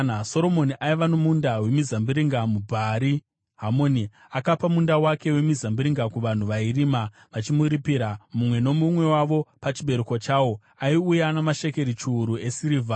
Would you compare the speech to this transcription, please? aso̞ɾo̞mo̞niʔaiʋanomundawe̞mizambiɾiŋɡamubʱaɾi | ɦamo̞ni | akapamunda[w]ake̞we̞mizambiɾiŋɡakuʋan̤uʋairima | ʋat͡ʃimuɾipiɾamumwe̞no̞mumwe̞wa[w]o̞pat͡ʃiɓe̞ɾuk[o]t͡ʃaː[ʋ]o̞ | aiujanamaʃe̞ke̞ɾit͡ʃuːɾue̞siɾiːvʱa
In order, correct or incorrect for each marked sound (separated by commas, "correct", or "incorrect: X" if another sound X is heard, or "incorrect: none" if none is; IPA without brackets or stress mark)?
correct, incorrect: ʋ, correct, incorrect: w